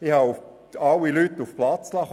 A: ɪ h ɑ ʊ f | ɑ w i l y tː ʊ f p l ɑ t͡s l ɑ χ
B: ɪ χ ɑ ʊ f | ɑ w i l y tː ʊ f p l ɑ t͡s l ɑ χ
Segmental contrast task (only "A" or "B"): A